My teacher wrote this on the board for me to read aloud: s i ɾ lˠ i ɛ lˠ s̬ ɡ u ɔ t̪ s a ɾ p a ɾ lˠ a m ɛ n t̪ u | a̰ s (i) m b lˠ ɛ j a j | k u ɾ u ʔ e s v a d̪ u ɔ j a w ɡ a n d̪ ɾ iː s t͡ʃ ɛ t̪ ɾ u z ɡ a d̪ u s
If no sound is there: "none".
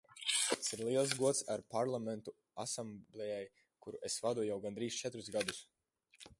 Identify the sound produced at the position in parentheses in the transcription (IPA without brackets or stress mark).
a